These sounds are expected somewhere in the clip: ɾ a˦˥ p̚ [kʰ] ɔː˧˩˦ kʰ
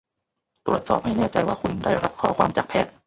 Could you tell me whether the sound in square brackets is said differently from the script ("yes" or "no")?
no